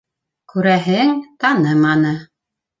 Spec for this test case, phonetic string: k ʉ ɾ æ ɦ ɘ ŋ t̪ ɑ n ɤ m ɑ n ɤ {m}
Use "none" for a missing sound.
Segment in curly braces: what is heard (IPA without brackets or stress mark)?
none